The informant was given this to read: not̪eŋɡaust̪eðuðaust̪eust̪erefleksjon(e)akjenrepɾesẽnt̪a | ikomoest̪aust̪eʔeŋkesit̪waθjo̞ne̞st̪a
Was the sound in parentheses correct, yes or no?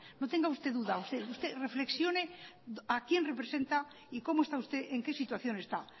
yes